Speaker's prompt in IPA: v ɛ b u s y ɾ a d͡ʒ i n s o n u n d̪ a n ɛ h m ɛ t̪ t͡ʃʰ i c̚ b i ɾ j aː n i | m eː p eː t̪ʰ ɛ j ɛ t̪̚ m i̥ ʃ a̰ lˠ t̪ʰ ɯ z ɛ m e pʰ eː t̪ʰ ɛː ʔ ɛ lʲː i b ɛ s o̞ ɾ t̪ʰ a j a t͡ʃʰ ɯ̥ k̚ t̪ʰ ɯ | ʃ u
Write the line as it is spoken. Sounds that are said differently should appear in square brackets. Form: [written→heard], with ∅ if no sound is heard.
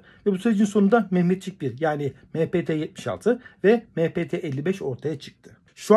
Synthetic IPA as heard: v ɛ b u s y ɾ [a→e] d͡ʒ i n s o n u n d̪ a [n→m] ɛ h m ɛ t̪ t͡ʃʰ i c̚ b i ɾ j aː n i | m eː p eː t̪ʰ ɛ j ɛ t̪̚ m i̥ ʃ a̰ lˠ t̪ʰ ɯ [z→v] ɛ m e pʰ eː t̪ʰ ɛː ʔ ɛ lʲː i b ɛ [s→ʃ] o̞ ɾ t̪ʰ a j a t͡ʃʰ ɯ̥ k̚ t̪ʰ ɯ | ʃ u